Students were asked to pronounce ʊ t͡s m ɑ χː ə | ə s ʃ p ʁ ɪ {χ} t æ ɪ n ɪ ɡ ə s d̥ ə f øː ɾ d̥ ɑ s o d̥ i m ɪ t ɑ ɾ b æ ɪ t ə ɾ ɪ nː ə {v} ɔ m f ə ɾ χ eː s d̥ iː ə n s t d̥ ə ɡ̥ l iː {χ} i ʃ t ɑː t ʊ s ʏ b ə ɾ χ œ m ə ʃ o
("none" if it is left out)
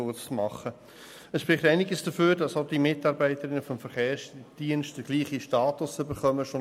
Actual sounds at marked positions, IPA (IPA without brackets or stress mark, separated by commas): χ, f, χ